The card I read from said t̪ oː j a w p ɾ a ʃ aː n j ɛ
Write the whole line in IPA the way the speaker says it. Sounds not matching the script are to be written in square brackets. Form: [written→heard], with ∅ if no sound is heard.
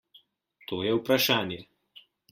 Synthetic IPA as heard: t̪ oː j [a→ɛ] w p ɾ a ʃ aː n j ɛ